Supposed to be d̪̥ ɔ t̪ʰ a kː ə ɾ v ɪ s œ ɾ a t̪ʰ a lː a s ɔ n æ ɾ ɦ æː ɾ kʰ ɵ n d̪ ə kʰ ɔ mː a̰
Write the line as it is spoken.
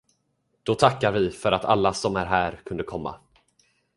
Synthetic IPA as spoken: d̪̥ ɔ t̪ʰ a kː a ɾ v ɪ f œ ɾ a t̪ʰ a lː a s ɔ m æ ɾ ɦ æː ɾ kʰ ɵ n d̪ ə kʰ ɔ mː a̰